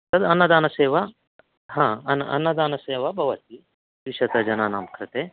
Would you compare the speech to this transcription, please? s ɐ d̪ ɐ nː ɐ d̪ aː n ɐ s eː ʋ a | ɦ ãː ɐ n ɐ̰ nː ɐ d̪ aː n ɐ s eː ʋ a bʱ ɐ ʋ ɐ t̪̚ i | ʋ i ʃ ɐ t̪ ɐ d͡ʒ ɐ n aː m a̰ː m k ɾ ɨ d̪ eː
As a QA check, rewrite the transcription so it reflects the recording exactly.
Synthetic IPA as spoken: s ɐ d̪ ɐ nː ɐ d̪ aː n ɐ s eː ʋ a | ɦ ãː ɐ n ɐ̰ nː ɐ d̪ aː n ɐ s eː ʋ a bʱ ɐ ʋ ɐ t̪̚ i | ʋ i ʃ ɐ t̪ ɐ d͡ʒ ɐ n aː n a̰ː m k ɾ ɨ t̪ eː